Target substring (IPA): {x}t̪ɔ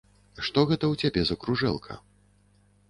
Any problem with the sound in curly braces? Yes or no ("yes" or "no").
yes